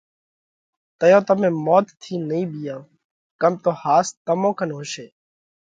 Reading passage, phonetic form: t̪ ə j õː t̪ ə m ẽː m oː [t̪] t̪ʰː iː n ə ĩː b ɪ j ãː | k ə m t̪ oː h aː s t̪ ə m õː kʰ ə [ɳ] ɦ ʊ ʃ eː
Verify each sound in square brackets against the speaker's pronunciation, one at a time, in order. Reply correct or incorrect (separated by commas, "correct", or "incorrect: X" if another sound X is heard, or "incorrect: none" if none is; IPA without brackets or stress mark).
correct, incorrect: n